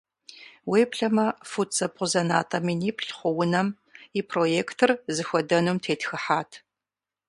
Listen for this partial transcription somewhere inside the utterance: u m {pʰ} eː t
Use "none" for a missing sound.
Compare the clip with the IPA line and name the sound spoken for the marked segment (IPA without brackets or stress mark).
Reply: tʰ